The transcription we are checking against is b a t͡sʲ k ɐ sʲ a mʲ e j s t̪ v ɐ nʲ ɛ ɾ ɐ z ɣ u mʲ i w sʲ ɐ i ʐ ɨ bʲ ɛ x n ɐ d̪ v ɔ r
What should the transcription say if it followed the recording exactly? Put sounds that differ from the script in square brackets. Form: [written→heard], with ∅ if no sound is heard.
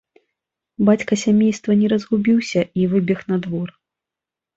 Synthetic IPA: b a t͡sʲ k ɐ sʲ a mʲ e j s t̪ v ɐ nʲ ɛ ɾ ɐ z ɣ u [mʲ→bʲ] i w sʲ ɐ i [ʐ→v] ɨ bʲ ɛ x n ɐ d̪ v ɔ r